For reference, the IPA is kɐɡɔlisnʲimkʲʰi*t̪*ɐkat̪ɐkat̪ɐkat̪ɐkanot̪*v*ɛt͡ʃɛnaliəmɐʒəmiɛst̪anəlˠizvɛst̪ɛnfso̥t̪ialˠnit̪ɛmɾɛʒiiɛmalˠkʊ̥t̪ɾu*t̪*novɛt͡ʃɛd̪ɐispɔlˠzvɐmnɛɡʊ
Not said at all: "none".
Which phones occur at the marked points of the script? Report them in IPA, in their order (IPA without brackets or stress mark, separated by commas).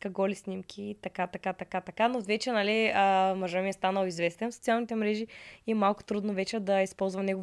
t̪, v, d̪